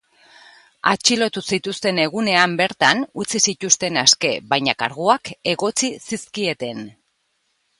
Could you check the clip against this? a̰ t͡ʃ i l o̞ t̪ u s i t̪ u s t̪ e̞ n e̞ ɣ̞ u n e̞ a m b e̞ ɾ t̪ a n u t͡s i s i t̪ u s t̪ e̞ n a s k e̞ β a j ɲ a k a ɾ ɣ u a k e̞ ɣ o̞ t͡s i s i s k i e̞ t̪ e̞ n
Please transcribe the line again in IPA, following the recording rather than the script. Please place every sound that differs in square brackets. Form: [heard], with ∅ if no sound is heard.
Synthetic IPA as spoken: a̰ t͡ʃ i l o̞ t̪ u s i t̪ u s t̪ e̞ n e̞ ɣ̞ u n e̞ a m b e̞ ɾ t̪ a n u t͡s i s i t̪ u s t̪ e̞ n a s k e̞ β a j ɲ a k a ɾ ɣ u a k e̞ ɣ o̞ t͡s i s i s k i e̞ t̪ e̞ n